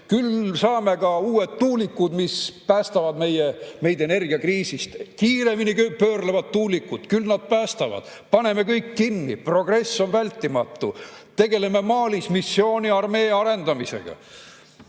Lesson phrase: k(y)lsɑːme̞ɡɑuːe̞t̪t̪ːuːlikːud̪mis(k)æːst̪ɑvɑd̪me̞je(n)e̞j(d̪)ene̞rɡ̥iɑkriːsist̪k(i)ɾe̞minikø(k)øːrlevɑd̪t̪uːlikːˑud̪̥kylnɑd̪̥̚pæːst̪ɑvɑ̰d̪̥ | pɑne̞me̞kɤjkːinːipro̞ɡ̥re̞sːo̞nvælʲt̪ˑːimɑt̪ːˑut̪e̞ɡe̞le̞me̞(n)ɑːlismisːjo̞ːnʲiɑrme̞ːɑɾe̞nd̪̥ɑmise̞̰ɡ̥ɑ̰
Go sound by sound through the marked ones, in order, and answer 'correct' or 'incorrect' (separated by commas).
correct, incorrect, incorrect, correct, incorrect, incorrect, incorrect